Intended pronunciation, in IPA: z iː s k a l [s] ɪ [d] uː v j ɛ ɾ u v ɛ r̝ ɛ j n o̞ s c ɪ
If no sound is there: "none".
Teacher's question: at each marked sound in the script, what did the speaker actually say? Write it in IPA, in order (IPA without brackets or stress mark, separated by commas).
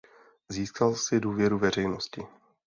s, d